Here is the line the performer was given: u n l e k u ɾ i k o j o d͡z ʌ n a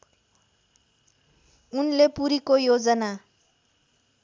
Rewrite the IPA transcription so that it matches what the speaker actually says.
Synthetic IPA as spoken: u n l e p u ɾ i k o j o d͡z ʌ n a